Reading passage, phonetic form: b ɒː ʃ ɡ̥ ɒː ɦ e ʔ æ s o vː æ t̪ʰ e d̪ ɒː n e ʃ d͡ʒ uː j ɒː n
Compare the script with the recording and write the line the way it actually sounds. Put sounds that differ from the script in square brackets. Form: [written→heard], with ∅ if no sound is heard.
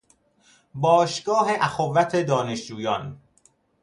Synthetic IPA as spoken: b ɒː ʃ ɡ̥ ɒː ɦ e ʔ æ [s→x] o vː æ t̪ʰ e d̪ ɒː n e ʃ d͡ʒ uː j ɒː n